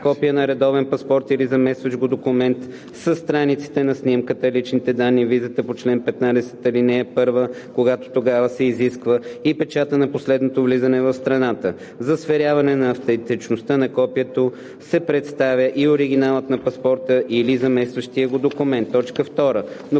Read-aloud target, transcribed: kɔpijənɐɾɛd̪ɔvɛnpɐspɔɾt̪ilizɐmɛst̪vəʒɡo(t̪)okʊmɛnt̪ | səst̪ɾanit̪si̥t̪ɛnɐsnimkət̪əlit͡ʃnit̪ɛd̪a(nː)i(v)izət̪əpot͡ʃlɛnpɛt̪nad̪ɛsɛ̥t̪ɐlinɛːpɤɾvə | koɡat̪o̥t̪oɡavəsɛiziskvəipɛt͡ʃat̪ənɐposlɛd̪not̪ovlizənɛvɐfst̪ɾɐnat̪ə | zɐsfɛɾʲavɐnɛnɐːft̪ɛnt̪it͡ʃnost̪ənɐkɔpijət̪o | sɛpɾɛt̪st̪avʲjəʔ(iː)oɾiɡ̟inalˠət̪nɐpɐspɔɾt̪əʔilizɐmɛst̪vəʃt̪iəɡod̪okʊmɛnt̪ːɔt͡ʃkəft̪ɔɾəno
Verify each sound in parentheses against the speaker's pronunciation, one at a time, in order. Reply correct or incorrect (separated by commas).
incorrect, correct, correct, incorrect